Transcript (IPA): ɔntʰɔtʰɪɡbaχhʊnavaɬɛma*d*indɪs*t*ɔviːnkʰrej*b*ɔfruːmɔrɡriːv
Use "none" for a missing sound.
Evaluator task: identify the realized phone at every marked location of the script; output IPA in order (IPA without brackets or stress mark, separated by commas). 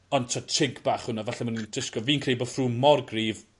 n, k, b